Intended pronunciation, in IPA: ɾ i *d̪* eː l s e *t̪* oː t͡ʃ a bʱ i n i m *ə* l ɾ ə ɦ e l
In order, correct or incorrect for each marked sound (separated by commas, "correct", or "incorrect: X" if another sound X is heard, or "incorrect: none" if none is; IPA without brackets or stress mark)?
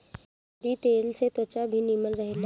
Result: incorrect: t̪, correct, correct